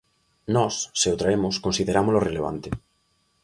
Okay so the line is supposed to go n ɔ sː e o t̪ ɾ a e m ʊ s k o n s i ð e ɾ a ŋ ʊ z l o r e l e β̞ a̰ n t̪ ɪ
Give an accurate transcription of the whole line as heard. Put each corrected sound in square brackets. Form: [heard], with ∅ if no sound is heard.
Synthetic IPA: n ɔ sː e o t̪ ɾ a e m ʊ s k o n s i ð e ɾ a [m] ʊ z l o r e l e β̞ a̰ n t̪ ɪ